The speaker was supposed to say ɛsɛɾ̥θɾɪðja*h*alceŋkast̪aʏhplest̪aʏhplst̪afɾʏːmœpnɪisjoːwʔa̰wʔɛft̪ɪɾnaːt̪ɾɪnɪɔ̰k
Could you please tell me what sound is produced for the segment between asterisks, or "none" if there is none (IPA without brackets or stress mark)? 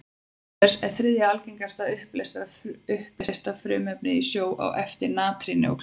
none